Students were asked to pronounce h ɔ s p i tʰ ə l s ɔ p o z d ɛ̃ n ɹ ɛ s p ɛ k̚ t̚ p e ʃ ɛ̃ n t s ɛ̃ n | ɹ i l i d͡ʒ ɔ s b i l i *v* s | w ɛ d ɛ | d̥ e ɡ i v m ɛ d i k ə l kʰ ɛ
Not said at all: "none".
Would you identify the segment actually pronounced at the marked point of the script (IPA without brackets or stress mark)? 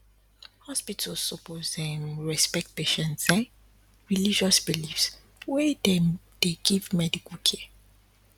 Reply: f